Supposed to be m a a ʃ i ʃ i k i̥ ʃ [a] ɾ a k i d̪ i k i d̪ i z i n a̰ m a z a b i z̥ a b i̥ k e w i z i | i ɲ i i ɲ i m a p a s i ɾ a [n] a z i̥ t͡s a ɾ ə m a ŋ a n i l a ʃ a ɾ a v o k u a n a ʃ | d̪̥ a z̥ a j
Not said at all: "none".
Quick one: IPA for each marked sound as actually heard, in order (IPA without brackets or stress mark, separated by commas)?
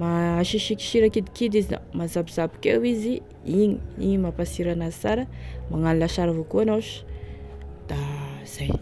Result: i, n